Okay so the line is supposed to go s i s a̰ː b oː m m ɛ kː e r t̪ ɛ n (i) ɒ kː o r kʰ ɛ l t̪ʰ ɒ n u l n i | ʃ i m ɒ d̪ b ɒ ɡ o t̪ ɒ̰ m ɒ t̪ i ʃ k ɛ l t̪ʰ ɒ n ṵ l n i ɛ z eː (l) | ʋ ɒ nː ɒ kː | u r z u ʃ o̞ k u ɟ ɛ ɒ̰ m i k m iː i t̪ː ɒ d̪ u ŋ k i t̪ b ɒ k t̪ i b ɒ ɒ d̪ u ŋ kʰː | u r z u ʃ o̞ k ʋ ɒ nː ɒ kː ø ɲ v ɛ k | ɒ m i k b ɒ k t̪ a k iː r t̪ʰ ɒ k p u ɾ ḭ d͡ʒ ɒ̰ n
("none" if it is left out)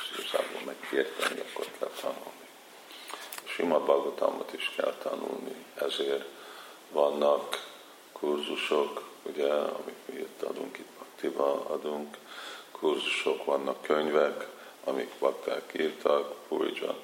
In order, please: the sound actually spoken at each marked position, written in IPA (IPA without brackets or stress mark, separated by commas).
i, r